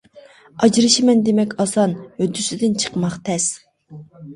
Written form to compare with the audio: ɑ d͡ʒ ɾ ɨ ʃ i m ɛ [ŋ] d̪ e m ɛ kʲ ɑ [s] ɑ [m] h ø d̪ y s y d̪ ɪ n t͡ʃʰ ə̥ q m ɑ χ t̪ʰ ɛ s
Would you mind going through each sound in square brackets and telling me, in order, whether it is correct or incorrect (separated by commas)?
incorrect, correct, incorrect